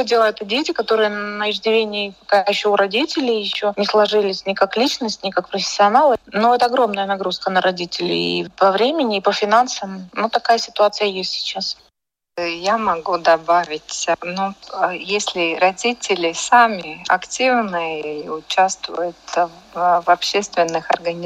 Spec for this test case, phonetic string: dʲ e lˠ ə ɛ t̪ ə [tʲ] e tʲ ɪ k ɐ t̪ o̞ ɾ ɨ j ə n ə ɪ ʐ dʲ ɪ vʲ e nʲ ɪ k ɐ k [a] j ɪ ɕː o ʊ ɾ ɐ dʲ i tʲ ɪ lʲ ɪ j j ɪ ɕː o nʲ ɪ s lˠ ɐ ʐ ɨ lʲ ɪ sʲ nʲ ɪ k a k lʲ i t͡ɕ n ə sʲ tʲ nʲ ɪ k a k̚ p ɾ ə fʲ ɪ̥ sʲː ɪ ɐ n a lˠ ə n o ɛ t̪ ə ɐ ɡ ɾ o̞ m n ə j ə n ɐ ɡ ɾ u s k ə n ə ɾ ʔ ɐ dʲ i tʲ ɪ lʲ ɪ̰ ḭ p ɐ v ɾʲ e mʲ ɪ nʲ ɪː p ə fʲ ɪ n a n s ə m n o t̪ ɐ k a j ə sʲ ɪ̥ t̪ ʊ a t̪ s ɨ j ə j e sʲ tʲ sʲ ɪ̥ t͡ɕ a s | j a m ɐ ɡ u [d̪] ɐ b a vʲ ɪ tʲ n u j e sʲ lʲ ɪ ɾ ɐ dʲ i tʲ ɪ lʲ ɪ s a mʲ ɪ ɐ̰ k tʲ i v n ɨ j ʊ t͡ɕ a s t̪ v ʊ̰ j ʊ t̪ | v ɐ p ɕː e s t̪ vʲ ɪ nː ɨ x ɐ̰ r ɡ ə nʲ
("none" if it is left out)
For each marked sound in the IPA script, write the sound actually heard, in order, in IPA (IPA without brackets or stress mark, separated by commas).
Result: dʲ, a, d̪